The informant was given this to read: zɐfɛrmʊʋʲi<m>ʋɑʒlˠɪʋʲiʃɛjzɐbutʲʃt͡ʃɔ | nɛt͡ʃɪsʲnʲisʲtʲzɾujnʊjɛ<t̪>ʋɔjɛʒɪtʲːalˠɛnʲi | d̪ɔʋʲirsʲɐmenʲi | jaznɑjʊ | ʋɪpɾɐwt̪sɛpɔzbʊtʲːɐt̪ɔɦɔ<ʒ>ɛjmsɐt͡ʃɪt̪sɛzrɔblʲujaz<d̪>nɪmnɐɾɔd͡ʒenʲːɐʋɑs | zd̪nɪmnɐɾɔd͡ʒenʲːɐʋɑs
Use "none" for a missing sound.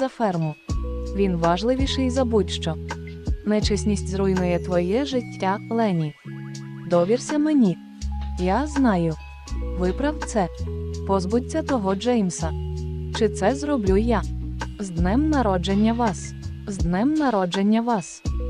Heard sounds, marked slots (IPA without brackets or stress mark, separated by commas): n, t̪, d͡ʒ, d̪